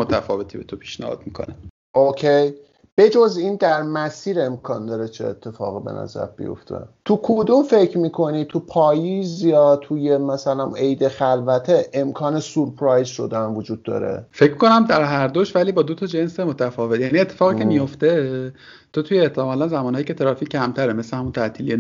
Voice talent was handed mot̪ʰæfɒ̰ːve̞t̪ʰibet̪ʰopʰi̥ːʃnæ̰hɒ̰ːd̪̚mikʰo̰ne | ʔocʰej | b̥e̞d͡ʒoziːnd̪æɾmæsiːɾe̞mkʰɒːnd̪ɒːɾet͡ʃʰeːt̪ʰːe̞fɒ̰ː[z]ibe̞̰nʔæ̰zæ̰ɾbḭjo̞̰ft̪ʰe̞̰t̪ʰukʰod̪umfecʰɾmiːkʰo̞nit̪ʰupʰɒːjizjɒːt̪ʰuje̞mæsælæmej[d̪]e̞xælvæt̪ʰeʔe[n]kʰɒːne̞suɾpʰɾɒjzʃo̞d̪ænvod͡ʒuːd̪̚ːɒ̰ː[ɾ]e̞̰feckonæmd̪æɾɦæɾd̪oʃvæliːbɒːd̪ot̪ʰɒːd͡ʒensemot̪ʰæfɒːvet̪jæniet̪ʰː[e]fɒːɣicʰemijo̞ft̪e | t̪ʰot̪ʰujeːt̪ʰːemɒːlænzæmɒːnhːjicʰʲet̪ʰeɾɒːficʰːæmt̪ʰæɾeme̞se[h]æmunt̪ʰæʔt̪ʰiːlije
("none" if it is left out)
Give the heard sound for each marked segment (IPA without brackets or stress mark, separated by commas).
ɣ, d̪, m, ɾ, e, h